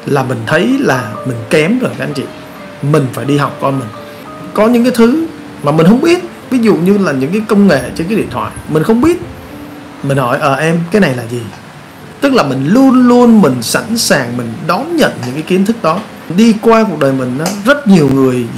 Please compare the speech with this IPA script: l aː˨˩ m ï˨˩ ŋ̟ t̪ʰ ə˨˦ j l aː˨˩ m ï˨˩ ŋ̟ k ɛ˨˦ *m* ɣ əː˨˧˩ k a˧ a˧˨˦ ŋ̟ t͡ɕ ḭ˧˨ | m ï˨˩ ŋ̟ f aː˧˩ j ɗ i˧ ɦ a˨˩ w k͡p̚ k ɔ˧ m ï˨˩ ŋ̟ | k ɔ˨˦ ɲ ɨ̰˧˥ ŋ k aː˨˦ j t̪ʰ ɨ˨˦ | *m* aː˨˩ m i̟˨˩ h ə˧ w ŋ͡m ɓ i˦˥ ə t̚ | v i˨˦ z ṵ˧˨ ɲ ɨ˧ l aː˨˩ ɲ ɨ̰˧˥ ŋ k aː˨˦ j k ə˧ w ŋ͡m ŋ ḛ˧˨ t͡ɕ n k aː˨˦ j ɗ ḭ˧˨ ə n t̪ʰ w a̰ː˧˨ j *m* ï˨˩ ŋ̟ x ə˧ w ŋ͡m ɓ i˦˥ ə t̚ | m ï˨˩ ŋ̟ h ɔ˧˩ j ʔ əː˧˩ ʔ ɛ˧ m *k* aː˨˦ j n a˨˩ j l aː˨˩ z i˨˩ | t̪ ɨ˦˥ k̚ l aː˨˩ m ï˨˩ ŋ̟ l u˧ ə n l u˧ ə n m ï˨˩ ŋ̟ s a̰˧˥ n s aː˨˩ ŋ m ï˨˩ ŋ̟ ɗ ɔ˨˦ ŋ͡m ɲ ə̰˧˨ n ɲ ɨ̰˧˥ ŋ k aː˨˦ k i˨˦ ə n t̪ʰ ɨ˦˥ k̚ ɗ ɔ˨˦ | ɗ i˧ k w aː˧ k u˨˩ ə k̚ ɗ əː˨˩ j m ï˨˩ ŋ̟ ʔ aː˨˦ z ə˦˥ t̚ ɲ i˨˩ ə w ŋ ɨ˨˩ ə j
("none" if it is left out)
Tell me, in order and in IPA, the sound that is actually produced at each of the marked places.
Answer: m, m, m, k

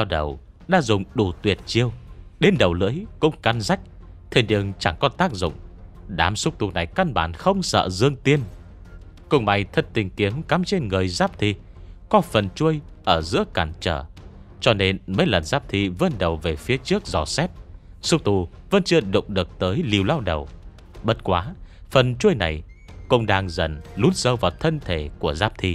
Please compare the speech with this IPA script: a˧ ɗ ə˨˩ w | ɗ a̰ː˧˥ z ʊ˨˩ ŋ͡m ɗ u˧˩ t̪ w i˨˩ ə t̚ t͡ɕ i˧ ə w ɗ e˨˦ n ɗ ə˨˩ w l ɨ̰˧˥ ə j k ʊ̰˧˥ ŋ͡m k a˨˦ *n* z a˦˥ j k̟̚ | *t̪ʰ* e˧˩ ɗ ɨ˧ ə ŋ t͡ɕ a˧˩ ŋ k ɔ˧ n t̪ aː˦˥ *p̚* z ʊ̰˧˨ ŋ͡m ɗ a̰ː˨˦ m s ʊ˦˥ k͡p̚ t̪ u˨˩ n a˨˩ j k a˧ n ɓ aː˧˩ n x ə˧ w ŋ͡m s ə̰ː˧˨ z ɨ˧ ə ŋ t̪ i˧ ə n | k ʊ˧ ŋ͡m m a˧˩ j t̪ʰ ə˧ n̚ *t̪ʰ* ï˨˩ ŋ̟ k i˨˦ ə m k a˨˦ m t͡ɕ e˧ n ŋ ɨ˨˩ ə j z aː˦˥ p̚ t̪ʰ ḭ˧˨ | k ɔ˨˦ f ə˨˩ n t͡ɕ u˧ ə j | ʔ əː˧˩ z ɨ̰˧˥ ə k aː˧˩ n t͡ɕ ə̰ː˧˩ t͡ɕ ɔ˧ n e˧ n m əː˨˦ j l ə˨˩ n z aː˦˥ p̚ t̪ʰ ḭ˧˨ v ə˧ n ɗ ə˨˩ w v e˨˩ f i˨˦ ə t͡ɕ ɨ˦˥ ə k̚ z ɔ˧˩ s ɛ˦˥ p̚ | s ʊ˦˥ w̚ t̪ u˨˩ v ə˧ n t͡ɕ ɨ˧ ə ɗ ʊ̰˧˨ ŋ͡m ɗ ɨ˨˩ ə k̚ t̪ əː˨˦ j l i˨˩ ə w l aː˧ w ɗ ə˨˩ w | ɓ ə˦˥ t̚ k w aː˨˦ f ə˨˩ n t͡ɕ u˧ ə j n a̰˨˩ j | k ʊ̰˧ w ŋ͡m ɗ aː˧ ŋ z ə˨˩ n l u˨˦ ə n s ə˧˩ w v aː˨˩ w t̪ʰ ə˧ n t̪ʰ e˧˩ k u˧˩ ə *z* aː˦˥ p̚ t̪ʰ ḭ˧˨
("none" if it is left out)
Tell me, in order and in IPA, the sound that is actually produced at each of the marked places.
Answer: n, t̪ʰ, k̚, t̪, z

